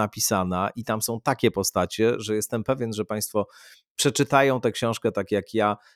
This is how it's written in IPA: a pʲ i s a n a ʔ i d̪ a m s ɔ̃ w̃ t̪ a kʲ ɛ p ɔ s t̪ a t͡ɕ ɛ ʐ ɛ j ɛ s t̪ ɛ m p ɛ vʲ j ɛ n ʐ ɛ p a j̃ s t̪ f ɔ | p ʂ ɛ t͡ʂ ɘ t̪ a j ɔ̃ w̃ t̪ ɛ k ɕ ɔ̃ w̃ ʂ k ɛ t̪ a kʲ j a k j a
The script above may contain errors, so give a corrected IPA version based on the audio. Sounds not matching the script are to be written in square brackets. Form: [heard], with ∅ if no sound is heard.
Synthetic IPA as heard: a pʲ i s a n a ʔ i [t̪] a m s ɔ̃ w̃ t̪ a kʲ ɛ p ɔ s t̪ a t͡ɕ ɛ ʐ ɛ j ɛ s t̪ ɛ m p ɛ vʲ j ɛ n ʐ ɛ p a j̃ s t̪ f ɔ | p ʂ ɛ t͡ʂ ɘ t̪ a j ɔ̃ w̃ t̪ ɛ k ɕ ɔ̃ w̃ ʂ k ɛ t̪ a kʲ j a k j a